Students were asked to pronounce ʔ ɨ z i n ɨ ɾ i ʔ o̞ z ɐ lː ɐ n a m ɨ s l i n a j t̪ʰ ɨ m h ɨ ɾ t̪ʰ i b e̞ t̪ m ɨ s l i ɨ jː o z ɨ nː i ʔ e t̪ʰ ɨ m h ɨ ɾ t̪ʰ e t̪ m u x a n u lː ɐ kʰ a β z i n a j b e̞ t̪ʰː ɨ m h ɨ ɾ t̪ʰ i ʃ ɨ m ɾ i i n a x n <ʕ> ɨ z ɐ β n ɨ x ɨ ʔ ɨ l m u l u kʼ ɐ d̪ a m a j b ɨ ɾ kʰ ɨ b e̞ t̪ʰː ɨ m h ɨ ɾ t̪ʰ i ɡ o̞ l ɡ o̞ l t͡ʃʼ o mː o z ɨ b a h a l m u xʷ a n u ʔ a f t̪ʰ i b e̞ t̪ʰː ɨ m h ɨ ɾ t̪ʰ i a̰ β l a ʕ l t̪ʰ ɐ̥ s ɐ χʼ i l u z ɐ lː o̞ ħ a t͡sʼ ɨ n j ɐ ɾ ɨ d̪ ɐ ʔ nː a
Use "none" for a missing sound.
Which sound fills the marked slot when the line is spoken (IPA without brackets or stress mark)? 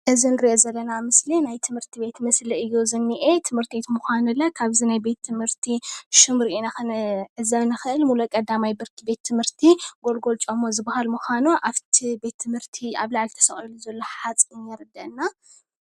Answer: ʕ